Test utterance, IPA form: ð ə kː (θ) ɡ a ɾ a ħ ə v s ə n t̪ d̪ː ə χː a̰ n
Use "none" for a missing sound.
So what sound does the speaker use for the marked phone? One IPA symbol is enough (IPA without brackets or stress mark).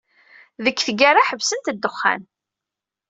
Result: θ